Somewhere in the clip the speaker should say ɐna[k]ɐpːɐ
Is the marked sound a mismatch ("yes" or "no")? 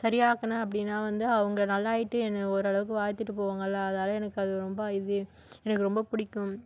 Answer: yes